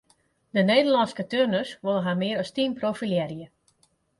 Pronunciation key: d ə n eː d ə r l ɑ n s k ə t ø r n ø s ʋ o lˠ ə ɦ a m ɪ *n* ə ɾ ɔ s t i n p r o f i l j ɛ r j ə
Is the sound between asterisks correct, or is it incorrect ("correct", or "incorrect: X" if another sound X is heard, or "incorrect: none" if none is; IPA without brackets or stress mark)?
incorrect: none